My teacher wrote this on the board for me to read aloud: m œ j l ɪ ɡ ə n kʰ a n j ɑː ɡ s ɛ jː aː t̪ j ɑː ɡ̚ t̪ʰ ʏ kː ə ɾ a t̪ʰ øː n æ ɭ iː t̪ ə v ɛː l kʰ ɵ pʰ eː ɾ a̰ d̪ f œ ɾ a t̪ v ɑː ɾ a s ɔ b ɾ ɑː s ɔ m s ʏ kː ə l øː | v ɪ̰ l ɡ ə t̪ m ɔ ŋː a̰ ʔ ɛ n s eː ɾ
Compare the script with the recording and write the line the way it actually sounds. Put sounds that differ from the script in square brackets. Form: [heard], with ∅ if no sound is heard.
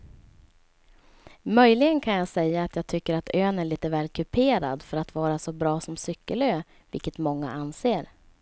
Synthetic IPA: m œ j l ɪ ɡ ə n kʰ a n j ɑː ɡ s ɛ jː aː t̪ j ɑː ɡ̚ t̪ʰ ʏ kː ə ɾ a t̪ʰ øː n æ ɭ iː t̪ ə v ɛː l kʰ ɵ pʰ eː ɾ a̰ d̪ f œ ɾ a t̪ v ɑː ɾ a s ɔ b ɾ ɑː s ɔ m s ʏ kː ə l øː | v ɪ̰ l [k] ə t̪ m ɔ ŋː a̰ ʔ [a] n s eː ɾ